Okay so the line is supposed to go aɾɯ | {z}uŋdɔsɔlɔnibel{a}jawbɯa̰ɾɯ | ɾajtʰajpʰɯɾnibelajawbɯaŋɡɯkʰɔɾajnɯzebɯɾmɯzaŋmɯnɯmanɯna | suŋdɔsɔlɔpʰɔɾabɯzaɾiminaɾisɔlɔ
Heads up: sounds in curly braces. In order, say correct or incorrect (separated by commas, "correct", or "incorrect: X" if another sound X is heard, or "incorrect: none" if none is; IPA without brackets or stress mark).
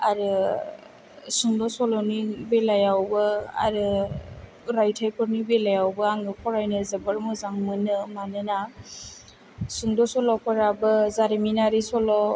incorrect: s, correct